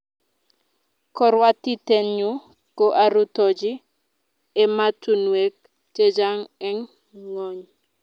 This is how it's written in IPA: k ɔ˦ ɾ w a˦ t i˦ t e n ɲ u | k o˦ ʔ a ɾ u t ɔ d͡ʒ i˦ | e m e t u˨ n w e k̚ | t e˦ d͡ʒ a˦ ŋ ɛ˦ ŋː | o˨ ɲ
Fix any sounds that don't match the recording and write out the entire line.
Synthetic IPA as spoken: k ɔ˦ ɾ w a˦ t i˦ t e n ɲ u | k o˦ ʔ a ɾ u t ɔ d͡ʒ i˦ | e m a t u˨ n w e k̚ | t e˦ d͡ʒ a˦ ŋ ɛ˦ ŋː | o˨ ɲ